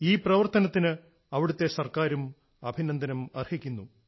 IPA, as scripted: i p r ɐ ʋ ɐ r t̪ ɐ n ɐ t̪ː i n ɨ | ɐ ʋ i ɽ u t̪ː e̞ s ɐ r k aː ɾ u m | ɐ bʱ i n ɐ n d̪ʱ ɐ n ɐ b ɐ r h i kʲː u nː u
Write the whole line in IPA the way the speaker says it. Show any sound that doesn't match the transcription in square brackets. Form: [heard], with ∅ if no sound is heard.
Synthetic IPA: [iː] p r ɐ ʋ ɐ r t̪ ɐ n ɐ t̪ː i n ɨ | ɐ ʋ i ɽ u t̪ː e̞ s ɐ r k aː ɾ u m | ɐ bʱ i n ɐ n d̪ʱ ɐ n ɐ [m] ɐ r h i kʲː u nː u